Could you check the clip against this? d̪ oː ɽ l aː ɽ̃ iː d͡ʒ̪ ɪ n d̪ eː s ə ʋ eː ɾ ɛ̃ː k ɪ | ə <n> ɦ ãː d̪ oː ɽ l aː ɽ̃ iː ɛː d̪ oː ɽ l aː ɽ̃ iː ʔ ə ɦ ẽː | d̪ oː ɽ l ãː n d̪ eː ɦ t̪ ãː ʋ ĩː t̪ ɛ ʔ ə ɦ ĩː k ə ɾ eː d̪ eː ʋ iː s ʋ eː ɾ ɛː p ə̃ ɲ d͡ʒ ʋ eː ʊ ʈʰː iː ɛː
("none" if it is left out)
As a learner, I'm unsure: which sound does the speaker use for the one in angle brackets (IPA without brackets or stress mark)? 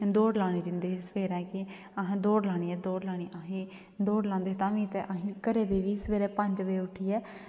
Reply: none